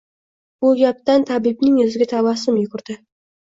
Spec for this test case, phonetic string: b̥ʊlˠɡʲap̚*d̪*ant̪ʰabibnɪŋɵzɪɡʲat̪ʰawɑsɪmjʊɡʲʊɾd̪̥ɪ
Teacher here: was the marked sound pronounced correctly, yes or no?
no